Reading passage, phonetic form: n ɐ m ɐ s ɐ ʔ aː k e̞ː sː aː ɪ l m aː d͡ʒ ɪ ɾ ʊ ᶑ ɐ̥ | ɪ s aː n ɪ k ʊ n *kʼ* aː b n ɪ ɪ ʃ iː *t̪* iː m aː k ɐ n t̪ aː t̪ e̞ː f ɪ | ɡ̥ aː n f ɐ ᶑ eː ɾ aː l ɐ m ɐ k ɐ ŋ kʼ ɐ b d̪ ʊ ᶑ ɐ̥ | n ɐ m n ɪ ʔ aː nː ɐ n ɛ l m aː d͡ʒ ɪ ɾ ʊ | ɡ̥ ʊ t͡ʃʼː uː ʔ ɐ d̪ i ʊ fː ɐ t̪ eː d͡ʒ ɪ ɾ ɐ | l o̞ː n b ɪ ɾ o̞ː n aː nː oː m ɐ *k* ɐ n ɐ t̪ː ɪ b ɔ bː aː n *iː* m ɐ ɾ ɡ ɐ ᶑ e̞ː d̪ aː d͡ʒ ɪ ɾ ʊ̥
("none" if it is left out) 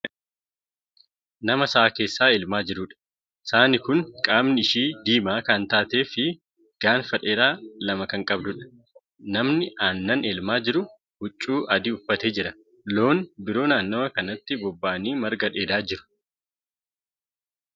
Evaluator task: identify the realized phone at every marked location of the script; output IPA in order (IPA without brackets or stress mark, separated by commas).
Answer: kʼ, d̪, k, iː